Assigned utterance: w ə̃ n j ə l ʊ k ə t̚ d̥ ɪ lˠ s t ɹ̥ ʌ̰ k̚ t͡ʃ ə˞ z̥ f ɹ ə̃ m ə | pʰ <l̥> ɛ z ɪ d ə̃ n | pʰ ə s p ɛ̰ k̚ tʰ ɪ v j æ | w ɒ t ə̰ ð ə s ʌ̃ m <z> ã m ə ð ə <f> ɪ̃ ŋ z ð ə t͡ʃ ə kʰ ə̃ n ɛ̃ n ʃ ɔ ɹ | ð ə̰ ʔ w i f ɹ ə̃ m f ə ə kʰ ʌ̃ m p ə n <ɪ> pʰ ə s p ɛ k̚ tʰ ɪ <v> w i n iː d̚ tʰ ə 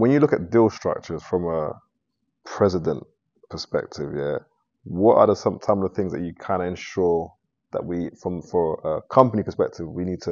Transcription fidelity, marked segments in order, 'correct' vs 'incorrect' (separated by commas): incorrect, incorrect, incorrect, incorrect, correct